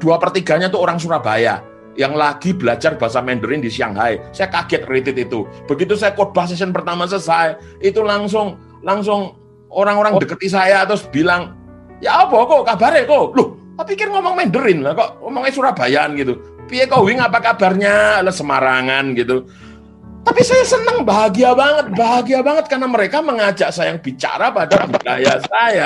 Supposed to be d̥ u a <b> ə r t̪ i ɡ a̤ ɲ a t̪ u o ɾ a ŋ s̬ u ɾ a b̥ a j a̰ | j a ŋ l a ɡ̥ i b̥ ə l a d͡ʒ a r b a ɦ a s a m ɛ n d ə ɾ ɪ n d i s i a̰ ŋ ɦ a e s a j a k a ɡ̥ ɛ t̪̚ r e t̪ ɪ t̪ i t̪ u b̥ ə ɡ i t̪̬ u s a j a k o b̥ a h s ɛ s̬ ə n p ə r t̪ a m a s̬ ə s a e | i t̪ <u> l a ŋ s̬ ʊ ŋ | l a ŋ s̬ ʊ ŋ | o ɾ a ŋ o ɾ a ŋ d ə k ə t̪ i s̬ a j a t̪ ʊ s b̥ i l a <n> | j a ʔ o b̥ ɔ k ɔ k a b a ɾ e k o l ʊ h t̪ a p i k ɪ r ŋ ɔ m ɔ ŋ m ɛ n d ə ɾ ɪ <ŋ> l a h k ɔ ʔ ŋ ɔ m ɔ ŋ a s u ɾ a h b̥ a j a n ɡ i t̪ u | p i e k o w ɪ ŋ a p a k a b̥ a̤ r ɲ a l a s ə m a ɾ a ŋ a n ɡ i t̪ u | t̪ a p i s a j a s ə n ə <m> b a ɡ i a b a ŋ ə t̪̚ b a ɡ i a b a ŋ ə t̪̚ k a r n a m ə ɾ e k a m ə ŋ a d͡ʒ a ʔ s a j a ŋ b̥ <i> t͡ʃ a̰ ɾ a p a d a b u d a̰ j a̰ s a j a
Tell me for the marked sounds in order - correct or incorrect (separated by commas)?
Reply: incorrect, correct, incorrect, incorrect, incorrect, correct